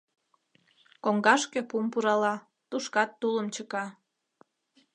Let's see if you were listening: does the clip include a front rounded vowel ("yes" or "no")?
no